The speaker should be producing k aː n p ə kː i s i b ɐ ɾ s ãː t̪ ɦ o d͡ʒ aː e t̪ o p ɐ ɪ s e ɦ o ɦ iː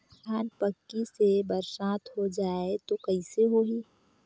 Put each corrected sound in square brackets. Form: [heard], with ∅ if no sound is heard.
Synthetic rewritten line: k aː n p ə kː i s [e] b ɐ ɾ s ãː t̪ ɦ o d͡ʒ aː e t̪ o [k] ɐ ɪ s e ɦ o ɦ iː